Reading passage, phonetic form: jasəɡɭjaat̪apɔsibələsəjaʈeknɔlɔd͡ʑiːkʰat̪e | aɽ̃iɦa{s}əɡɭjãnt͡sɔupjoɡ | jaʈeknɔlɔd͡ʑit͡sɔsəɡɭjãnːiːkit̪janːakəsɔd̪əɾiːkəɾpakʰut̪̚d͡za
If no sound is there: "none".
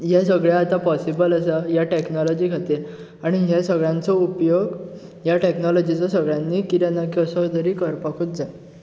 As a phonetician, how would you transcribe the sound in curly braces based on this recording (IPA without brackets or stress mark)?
s